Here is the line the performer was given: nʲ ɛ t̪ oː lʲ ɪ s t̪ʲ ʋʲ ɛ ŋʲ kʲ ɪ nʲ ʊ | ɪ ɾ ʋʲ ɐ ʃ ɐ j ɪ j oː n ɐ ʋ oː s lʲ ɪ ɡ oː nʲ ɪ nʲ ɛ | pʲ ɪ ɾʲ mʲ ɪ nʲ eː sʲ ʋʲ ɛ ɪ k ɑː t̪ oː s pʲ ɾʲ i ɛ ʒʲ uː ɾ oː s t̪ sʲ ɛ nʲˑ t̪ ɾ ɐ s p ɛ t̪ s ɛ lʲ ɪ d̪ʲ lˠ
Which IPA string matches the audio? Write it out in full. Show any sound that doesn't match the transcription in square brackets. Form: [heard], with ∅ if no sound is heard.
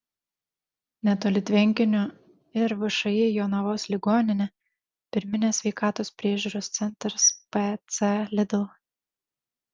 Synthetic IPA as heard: nʲ ɛ t̪ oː lʲ ɪ [∅] t̪ʲ ʋʲ ɛ ŋʲ kʲ ɪ nʲ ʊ | ɪ ɾ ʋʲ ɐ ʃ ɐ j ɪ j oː n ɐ ʋ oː s lʲ ɪ ɡ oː nʲ ɪ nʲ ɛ | pʲ ɪ ɾʲ mʲ ɪ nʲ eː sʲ ʋʲ ɛ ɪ k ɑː t̪ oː s pʲ ɾʲ i ɛ ʒʲ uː ɾ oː s t̪ sʲ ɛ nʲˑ t̪ ɾ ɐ s p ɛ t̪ s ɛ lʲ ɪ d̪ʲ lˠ